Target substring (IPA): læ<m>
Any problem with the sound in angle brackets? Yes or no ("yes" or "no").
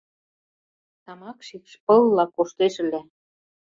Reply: yes